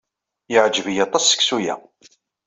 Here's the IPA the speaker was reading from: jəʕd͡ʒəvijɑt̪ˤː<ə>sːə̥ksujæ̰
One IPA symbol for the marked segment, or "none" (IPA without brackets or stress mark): ɑ